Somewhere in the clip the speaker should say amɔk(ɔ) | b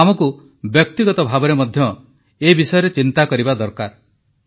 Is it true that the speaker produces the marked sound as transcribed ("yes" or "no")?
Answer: no